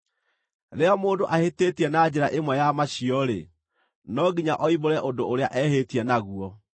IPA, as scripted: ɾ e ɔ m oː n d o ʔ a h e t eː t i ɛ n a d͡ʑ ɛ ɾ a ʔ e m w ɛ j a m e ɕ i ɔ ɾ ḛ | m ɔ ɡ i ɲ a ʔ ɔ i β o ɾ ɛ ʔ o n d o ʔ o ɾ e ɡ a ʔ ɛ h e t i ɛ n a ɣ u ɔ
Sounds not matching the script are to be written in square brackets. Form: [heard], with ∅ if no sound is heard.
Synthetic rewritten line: ɾ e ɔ m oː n d o ʔ a h e t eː t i ɛ n a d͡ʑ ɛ ɾ a ʔ e m w ɛ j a m [a] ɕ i ɔ ɾ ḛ | [n] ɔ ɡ i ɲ a ʔ ɔ i β o ɾ ɛ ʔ o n d o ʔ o ɾ e [∅] a ʔ ɛ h e t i ɛ n a ɣ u ɔ